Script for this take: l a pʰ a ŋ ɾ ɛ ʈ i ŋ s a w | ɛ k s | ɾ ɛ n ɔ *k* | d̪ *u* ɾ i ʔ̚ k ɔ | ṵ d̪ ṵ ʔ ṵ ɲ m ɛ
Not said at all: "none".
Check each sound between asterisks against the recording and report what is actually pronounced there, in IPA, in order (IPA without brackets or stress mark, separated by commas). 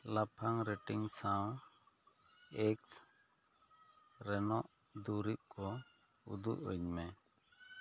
ʔ, u